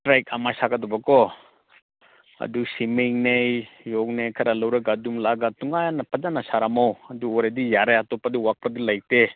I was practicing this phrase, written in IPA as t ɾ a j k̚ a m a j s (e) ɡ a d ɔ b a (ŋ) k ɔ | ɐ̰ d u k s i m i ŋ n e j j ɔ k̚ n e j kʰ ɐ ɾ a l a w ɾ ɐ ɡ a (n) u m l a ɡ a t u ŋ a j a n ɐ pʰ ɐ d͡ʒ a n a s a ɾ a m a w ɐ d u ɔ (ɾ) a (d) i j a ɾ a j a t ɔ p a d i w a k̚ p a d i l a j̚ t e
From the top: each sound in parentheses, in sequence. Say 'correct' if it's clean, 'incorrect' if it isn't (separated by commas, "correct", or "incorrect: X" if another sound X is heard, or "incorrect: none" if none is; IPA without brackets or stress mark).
incorrect: a, incorrect: none, incorrect: d, correct, correct